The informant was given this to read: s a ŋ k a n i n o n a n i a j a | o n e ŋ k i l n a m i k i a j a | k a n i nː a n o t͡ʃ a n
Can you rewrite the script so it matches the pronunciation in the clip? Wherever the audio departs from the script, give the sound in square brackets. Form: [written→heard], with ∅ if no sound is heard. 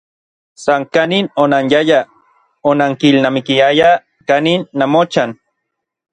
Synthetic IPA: s a ŋ k a n i n o n a n [i→j] a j a | o n [e→a] ŋ k i l n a m i k i a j a | k a n i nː a [n→m] o t͡ʃ a n